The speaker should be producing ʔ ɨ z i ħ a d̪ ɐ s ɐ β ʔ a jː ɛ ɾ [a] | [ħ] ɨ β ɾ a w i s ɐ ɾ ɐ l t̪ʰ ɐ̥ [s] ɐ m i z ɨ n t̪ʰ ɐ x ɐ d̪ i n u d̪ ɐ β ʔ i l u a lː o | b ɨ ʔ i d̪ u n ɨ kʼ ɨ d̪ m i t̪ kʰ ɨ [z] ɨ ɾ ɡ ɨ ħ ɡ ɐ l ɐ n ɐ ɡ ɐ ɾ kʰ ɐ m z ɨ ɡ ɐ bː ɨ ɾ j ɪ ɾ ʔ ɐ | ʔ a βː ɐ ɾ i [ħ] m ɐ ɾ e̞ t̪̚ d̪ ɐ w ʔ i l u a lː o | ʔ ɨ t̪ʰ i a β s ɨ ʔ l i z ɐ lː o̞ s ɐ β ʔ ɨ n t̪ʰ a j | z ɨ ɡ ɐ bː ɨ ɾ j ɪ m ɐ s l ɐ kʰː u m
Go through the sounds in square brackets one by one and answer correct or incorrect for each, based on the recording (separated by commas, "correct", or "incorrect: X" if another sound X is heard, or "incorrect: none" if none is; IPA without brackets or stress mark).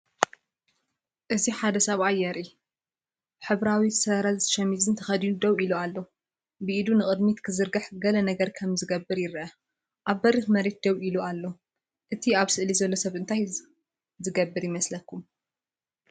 incorrect: i, correct, incorrect: ʃ, correct, incorrect: x